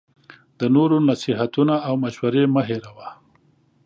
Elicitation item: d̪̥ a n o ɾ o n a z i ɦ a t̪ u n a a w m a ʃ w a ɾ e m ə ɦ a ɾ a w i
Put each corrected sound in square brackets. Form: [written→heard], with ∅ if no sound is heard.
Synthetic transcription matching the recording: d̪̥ [a→ə] n o ɾ o n a [z→s] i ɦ a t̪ u n a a w m a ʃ w a ɾ e m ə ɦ [a→e] ɾ a w [i→a]